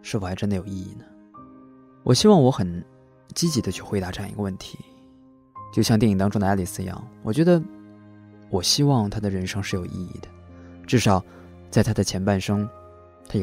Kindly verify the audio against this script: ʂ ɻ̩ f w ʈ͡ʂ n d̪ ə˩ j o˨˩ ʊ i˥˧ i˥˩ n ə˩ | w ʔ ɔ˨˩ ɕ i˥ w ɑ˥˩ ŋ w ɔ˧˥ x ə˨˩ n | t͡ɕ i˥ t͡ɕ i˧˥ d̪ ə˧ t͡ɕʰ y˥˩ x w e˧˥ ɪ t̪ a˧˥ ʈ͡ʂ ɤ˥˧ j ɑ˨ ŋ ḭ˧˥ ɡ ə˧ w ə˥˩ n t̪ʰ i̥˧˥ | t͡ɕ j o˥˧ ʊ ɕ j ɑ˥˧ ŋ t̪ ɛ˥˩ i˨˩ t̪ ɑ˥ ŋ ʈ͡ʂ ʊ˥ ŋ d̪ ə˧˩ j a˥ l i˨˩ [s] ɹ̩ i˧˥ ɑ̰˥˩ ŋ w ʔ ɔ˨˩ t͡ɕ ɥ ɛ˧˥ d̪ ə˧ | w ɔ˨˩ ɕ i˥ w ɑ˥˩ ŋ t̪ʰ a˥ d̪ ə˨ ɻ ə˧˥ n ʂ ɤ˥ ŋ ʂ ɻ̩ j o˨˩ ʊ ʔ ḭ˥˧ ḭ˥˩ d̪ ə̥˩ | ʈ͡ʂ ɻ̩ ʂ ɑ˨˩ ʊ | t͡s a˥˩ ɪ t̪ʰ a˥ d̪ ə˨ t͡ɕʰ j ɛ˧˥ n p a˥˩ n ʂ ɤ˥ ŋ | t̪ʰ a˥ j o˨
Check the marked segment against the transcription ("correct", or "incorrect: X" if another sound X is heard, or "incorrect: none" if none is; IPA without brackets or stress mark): correct